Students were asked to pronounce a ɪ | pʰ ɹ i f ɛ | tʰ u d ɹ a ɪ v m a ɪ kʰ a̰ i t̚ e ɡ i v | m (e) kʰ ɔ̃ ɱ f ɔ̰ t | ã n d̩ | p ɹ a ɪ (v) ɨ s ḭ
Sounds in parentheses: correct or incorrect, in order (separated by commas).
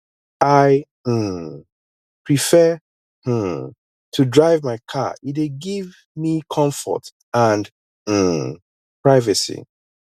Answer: incorrect, correct